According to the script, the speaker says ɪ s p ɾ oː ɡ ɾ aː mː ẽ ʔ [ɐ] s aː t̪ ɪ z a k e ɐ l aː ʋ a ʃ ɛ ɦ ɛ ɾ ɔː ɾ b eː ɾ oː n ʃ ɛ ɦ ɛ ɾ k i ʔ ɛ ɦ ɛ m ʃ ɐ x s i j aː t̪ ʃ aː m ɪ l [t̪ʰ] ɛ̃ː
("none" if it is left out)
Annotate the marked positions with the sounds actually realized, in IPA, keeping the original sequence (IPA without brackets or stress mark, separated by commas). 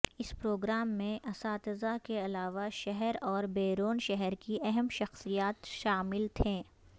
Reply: ɐ, t̪ʰ